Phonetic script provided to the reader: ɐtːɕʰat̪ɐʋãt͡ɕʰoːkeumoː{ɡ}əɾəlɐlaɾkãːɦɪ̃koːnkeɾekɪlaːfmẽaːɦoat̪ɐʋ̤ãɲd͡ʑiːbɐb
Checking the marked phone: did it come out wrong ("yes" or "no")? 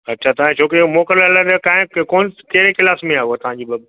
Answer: yes